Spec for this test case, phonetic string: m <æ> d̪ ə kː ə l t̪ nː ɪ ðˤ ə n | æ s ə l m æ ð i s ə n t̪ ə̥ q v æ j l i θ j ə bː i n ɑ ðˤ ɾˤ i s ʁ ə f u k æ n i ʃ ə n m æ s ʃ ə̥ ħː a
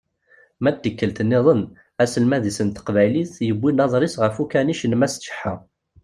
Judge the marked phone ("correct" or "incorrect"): correct